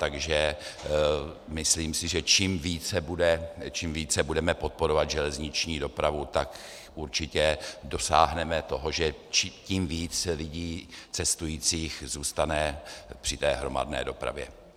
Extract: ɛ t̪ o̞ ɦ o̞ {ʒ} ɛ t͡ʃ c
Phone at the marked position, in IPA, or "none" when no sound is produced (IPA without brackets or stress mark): ʒ